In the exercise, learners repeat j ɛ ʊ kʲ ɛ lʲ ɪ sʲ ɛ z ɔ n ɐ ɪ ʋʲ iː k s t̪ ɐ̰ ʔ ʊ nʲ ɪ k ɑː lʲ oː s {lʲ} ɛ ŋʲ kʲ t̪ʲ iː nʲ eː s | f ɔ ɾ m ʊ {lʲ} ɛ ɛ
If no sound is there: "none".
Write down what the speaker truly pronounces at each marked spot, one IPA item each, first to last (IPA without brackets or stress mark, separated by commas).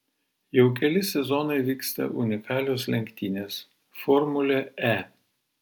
lʲ, lʲ